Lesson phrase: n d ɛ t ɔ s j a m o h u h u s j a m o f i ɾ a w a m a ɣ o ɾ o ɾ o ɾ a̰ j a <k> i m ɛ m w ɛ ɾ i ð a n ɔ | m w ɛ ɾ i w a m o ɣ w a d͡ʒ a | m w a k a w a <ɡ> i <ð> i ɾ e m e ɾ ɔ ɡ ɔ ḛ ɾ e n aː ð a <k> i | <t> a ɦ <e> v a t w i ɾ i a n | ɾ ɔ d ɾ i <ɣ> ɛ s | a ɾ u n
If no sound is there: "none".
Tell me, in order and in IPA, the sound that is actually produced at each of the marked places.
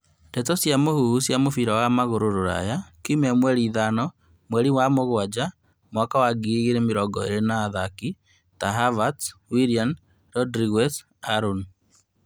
k, ɡ, ɣ, k, t, a, ɣ

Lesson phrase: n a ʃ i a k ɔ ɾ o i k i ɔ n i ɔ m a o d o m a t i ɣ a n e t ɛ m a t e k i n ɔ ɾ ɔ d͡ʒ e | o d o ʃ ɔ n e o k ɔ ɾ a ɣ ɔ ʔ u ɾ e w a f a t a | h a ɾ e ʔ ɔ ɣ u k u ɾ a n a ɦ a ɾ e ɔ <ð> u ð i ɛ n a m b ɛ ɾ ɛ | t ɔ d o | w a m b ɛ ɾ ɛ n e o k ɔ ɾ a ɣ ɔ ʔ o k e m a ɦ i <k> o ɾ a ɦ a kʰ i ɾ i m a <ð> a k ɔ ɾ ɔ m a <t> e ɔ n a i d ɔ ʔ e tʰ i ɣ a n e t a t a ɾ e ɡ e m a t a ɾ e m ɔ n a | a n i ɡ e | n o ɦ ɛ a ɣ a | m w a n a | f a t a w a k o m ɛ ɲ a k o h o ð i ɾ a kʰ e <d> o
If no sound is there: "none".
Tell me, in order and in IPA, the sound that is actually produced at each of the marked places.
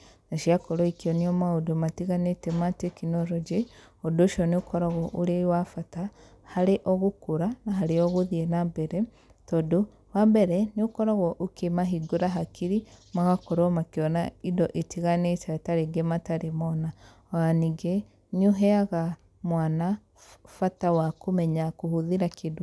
ɣ, ɡ, ɣ, k, d

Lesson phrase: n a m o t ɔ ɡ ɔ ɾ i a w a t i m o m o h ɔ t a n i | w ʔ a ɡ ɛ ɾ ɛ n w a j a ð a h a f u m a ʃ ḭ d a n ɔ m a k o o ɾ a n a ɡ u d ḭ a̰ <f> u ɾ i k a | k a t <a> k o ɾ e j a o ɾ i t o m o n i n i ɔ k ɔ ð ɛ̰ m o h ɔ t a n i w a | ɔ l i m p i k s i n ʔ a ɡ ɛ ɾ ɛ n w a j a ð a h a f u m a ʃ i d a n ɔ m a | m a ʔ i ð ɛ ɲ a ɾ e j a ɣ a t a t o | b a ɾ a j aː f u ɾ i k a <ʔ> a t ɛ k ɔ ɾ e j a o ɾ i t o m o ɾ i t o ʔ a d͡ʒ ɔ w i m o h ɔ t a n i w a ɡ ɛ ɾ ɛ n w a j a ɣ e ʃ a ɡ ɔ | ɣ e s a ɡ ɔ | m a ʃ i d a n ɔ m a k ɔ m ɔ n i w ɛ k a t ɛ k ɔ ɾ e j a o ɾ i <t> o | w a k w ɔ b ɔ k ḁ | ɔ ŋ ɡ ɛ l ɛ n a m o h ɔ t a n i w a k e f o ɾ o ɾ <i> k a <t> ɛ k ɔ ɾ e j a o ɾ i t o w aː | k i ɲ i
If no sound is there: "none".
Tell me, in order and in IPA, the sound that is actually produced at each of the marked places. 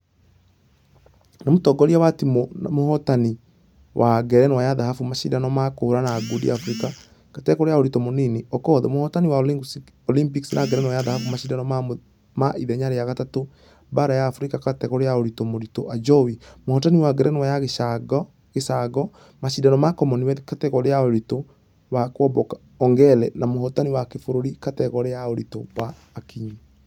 f, ɛ, k, t, i, t

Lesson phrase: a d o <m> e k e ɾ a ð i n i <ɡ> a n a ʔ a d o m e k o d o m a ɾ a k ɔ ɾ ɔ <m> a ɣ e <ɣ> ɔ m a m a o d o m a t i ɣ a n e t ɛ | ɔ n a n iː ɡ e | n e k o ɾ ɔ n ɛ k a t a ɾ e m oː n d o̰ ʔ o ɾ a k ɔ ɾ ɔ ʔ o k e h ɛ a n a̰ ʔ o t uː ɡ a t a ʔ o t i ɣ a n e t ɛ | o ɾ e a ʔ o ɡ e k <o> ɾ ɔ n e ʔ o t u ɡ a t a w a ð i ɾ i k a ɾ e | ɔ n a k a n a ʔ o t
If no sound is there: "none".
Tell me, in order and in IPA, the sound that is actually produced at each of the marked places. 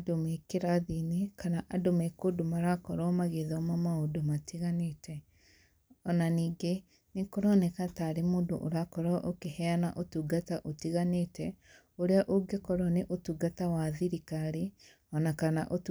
m, k, m, ð, ɔ

